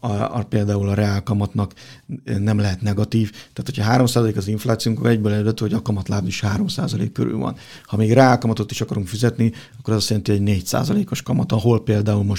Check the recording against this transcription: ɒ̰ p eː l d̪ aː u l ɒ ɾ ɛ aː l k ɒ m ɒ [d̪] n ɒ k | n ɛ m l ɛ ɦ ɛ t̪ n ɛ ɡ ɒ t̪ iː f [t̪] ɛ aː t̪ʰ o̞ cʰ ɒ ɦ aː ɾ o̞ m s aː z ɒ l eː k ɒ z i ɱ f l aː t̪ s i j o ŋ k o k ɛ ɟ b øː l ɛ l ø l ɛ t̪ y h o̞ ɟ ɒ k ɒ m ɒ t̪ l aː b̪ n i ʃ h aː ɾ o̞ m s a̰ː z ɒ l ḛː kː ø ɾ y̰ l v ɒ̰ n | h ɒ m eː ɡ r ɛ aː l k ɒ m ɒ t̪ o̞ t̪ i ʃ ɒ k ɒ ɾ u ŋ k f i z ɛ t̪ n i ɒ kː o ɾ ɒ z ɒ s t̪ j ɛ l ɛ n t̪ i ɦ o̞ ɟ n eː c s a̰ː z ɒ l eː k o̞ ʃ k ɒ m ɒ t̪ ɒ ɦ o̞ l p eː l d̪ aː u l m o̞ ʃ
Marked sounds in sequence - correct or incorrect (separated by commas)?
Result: incorrect, correct